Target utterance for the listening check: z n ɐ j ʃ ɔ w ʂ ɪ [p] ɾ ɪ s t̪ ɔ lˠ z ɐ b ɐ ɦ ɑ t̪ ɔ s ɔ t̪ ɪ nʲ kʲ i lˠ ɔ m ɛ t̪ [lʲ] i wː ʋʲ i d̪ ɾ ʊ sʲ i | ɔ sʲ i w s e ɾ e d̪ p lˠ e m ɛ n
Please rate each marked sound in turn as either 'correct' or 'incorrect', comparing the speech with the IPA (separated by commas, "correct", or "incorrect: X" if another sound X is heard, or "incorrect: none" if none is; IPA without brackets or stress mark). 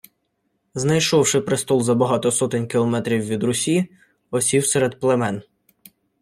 correct, incorrect: ɾʲ